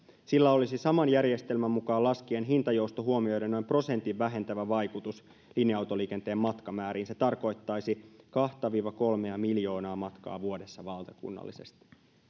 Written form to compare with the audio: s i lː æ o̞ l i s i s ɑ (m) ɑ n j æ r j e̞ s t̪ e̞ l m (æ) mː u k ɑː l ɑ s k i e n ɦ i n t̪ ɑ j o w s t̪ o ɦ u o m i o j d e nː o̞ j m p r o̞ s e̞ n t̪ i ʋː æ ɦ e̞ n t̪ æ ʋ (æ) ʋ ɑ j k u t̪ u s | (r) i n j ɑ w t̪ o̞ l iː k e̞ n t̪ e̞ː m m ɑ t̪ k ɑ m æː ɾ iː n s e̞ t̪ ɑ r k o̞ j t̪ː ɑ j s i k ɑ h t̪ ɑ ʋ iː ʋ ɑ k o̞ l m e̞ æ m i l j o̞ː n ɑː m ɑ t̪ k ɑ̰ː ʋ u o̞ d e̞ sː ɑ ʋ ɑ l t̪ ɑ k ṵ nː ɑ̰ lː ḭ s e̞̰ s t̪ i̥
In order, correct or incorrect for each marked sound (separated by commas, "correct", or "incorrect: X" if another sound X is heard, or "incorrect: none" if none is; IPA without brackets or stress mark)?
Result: correct, correct, correct, incorrect: l